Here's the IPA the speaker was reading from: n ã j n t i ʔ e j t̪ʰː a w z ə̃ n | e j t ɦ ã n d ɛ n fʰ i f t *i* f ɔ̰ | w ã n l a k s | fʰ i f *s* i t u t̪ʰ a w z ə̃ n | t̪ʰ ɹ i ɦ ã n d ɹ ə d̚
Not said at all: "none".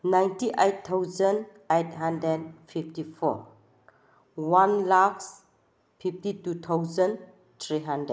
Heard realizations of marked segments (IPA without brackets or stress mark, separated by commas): i, t